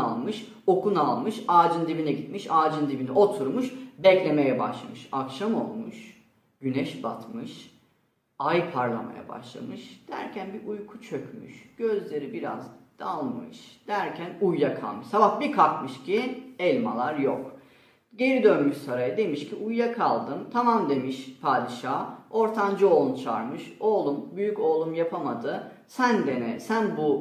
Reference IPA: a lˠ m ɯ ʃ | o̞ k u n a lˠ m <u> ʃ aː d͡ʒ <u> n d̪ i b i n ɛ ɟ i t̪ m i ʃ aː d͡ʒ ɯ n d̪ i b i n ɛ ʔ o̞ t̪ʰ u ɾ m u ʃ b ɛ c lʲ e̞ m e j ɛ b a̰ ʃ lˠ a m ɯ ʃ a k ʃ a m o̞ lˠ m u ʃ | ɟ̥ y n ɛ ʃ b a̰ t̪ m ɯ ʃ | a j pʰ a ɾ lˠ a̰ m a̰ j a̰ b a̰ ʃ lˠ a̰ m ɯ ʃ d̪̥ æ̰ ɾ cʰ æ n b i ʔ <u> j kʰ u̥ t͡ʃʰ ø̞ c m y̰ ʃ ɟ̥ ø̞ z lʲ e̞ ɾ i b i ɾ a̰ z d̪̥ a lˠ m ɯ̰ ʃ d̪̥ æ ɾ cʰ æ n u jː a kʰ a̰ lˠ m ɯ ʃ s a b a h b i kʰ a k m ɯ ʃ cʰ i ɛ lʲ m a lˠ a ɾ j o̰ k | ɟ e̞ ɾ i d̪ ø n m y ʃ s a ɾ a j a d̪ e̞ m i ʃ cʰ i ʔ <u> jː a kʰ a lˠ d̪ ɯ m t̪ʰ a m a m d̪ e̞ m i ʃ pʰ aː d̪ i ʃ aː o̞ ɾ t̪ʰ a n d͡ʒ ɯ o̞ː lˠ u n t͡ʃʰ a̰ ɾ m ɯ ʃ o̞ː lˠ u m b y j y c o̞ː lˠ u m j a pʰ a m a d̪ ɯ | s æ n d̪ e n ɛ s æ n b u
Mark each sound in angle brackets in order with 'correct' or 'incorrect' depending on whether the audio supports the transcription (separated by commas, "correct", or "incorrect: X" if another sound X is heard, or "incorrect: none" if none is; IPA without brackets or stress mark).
incorrect: ɯ, incorrect: ɯ, correct, correct